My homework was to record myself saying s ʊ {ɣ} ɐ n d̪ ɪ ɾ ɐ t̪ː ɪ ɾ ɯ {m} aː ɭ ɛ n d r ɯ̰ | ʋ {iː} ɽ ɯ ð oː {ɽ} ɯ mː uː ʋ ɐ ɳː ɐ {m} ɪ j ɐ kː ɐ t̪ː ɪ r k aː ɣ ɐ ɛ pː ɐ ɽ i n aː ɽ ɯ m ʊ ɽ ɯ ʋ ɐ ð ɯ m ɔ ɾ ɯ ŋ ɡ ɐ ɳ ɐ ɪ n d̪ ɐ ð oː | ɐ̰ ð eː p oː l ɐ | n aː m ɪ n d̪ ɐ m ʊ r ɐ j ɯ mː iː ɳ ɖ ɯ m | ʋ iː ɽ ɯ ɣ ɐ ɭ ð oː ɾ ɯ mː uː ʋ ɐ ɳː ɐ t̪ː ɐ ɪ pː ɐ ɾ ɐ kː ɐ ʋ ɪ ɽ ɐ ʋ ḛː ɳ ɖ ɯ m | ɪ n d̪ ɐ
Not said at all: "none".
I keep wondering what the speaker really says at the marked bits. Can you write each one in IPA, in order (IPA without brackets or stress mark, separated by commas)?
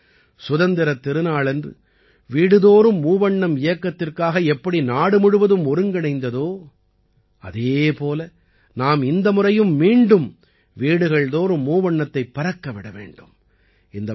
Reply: ð, n, iː, ɾ, m